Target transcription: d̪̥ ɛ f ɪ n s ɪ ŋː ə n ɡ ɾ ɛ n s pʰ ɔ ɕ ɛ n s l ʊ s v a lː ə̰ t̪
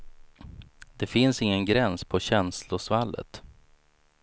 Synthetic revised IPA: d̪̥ ɛ f ɪ n s ɪ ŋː ə n ɡ ɾ ɛ n s pʰ ɔ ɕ ɛ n s l ʊ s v a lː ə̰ t̪